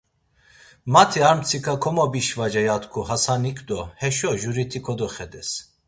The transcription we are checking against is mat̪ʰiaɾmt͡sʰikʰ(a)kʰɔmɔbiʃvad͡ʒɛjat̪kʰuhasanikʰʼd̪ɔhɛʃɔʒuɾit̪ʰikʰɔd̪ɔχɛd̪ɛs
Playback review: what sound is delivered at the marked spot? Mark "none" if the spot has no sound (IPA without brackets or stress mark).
a